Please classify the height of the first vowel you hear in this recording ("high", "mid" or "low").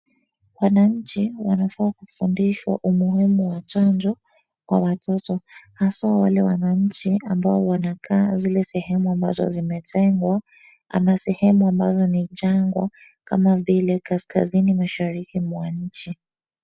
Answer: low